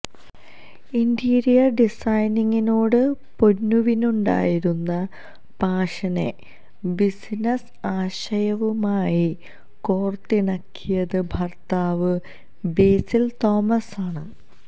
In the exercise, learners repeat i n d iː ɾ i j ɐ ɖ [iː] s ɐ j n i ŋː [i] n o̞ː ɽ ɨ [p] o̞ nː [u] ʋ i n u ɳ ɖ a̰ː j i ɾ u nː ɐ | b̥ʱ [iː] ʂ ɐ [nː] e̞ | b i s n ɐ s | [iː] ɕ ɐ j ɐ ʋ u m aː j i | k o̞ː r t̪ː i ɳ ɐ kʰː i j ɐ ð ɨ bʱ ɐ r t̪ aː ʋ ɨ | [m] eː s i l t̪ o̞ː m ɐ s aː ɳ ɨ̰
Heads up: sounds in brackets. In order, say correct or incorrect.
incorrect: i, correct, correct, correct, incorrect: aː, incorrect: n, incorrect: aː, incorrect: b

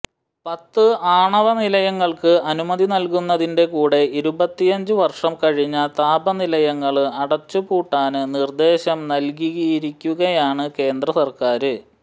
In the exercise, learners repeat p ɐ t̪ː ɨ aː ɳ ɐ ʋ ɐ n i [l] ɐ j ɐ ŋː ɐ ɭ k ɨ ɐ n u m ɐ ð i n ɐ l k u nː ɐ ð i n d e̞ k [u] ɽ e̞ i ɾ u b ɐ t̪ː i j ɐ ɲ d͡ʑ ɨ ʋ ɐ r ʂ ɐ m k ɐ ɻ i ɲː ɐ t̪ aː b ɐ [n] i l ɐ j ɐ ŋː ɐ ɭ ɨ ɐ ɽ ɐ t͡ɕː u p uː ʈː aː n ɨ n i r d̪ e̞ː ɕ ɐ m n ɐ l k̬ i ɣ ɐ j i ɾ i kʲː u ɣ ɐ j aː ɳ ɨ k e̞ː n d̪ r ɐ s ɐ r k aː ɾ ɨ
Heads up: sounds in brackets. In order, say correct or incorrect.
correct, incorrect: uː, correct

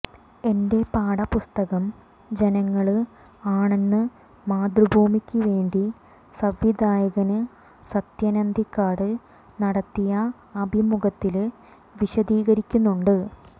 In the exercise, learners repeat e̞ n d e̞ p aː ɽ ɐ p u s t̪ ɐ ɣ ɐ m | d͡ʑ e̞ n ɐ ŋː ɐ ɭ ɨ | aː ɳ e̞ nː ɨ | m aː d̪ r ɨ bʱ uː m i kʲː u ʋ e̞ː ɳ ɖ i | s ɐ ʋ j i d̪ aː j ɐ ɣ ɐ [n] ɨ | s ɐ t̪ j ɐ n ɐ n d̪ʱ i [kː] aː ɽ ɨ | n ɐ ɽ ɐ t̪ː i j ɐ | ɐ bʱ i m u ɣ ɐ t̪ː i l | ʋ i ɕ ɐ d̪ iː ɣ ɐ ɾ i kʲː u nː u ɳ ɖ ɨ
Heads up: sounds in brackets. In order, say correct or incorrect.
correct, correct

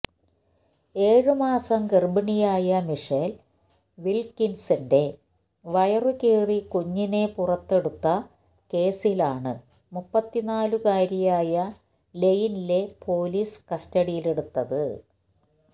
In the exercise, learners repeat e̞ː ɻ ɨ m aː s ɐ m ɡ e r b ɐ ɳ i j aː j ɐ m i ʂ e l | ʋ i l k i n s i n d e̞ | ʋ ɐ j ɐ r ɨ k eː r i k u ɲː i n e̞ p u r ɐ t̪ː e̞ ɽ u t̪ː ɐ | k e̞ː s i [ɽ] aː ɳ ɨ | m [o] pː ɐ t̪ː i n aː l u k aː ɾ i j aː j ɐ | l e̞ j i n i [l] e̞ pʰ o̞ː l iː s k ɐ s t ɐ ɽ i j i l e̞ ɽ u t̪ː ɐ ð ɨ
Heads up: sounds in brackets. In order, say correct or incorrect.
incorrect: l, incorrect: u, correct

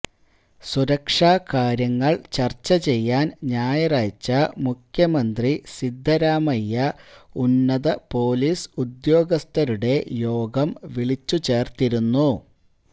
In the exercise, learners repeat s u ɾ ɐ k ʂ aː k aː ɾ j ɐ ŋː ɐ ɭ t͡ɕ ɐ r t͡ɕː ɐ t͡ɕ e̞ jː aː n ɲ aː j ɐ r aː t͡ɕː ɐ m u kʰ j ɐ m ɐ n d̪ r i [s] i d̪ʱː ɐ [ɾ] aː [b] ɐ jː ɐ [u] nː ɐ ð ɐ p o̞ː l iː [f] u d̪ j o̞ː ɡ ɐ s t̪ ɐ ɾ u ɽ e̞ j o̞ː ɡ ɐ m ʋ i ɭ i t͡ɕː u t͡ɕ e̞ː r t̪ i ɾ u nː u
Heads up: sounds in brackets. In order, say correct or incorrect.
correct, correct, incorrect: m, correct, incorrect: s

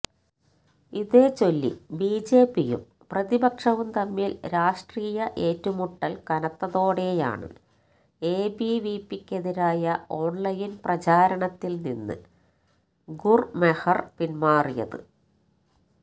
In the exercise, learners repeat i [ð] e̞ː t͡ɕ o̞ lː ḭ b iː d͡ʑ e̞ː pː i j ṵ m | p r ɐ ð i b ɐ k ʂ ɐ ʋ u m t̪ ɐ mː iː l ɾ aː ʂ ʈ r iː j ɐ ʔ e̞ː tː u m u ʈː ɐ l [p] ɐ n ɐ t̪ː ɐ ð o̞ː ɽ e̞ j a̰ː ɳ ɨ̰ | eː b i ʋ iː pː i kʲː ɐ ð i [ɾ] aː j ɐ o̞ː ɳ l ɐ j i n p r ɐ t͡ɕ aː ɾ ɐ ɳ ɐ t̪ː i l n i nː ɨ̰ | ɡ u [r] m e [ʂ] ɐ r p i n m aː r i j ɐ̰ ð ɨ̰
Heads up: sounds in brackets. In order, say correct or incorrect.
correct, incorrect: k, correct, correct, incorrect: h

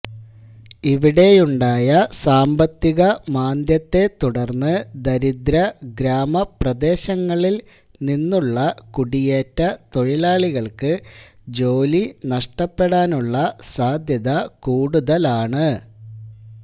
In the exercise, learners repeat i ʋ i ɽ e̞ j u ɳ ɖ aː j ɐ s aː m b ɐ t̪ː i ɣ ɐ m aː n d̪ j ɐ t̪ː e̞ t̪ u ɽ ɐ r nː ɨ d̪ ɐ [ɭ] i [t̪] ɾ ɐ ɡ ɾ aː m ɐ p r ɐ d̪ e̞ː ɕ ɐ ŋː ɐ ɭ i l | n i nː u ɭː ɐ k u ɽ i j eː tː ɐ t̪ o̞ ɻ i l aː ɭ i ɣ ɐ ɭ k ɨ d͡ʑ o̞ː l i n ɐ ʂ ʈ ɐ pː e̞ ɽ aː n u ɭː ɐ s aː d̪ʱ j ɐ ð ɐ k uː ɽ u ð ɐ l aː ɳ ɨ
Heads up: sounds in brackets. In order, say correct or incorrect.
incorrect: ɾ, incorrect: d̪

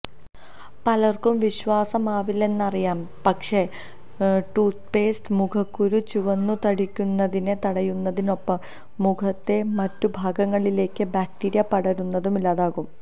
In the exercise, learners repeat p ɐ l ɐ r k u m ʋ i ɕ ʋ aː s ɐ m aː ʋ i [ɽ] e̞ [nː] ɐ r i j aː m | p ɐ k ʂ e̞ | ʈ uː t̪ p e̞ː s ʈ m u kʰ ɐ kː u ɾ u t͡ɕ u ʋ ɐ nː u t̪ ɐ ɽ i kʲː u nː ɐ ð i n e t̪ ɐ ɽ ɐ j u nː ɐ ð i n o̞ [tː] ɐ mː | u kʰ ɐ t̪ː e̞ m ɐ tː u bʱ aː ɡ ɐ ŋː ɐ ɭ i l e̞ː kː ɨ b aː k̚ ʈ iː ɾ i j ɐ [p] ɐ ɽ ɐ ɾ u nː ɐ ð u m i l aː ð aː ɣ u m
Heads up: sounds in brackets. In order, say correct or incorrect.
incorrect: l, correct, incorrect: pː, correct

